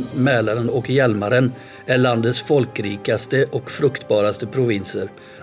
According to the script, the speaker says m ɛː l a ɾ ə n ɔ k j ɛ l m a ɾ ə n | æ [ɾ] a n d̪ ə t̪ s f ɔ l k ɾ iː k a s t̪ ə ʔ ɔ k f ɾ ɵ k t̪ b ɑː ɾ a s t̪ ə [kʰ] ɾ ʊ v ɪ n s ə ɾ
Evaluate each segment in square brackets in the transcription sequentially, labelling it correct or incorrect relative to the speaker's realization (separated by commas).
incorrect, incorrect